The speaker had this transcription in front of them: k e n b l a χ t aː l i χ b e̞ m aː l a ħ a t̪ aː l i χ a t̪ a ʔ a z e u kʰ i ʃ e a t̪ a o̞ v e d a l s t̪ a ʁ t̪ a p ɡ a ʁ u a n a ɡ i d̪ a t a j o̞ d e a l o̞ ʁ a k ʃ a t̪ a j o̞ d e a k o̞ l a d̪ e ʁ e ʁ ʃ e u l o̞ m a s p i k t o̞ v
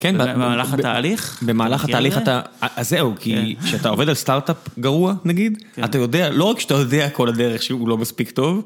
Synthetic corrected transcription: k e n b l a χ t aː l i χ b e̞ m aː l a χ a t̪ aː l i χ a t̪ a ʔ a z e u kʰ i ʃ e a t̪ a o̞ v e d a l s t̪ a ʁ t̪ a p ɡ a ʁ u a n a ɡ i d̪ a t a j o̞ d e a l o̞ ʁ a k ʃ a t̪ a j o̞ d e a k o̞ l a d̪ e ʁ e χ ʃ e u l o̞ m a s p i k t o̞ v